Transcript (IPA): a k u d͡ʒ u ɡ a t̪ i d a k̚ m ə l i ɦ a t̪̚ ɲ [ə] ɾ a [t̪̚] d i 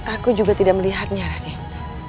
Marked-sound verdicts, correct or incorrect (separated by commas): incorrect, incorrect